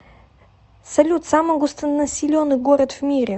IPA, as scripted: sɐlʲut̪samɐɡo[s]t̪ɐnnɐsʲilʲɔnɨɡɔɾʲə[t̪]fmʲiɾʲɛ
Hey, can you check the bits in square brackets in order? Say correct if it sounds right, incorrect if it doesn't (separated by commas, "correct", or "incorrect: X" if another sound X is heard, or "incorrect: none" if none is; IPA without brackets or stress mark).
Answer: correct, correct